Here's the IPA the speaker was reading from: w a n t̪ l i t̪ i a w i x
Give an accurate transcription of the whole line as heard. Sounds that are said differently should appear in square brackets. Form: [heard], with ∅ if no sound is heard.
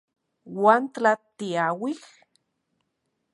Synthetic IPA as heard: w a n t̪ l [a] t̪ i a w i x